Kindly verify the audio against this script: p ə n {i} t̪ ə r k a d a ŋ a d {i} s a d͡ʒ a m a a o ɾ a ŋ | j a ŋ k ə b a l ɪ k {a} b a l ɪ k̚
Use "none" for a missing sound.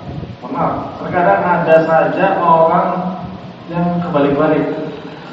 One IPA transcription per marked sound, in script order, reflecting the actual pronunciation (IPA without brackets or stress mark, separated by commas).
a, a, ə